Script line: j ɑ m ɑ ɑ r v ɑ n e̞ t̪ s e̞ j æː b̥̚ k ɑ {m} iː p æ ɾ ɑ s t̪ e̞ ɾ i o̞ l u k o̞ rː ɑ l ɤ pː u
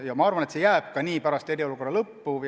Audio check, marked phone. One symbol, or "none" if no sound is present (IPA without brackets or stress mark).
n